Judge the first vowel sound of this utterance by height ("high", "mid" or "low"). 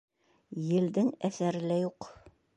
mid